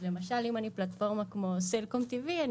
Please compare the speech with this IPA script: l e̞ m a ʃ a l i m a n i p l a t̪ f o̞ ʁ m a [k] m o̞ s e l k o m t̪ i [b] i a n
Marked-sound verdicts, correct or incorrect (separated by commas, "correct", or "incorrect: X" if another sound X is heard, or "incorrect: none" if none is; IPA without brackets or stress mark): correct, incorrect: v